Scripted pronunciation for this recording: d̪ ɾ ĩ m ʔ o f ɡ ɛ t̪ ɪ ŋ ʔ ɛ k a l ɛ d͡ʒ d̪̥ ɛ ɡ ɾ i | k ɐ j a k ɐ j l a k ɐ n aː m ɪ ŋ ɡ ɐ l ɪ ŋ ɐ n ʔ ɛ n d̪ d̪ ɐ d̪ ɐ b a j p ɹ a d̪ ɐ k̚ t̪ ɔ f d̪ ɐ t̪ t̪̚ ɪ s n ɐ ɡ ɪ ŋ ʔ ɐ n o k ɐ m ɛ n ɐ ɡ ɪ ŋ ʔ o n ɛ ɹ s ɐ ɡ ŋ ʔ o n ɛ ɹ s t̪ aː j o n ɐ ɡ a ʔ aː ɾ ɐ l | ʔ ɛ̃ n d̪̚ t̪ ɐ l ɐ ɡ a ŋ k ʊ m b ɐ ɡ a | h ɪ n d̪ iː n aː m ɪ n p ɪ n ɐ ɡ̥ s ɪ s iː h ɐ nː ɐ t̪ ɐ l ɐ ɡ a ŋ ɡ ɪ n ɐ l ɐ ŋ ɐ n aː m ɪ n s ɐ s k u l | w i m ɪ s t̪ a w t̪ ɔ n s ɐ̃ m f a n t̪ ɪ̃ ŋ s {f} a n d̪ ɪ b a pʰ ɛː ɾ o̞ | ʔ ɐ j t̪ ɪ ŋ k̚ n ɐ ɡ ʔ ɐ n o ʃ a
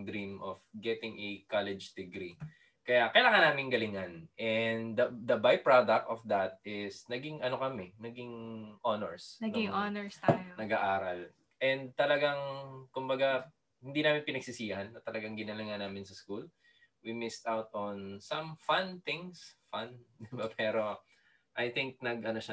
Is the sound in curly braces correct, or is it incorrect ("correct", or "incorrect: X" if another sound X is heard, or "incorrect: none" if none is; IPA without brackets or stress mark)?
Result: correct